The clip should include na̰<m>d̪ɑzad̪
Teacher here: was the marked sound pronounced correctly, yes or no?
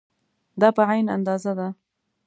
no